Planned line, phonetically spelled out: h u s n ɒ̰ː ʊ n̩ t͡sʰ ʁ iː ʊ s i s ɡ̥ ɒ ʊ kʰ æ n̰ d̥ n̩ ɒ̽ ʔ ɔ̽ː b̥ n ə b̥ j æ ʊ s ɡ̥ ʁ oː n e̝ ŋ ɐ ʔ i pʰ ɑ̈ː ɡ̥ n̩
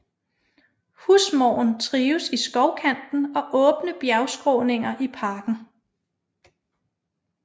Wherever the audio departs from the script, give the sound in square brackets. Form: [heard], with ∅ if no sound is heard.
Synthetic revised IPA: h u s [m] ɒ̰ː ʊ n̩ t͡sʰ ʁ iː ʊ s i s ɡ̥ ɒ ʊ kʰ æ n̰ d̥ n̩ ɒ̽ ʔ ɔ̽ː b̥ n ə b̥ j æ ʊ s ɡ̥ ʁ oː n e̝ ŋ ɐ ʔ i pʰ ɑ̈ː ɡ̥ n̩